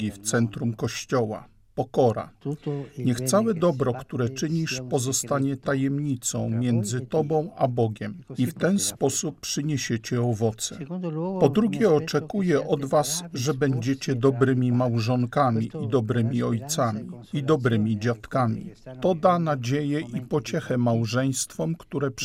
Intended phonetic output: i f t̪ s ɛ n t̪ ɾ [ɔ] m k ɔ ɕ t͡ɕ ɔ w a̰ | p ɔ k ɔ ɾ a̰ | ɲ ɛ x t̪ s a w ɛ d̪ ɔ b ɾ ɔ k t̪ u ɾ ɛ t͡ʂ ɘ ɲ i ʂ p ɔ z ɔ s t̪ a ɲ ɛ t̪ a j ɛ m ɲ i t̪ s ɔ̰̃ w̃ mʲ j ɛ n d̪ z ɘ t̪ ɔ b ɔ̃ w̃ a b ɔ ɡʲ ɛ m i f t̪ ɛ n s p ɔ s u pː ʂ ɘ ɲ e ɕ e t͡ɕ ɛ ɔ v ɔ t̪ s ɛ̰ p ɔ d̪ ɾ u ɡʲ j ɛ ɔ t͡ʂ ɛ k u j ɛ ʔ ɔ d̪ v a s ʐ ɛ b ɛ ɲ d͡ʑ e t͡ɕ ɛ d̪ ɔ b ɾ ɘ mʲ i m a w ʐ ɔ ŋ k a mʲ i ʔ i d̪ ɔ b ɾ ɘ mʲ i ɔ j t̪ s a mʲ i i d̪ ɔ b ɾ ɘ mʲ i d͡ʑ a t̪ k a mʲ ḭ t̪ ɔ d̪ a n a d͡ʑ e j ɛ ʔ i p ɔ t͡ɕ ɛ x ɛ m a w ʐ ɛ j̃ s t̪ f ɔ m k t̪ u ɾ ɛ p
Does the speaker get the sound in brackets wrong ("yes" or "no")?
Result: yes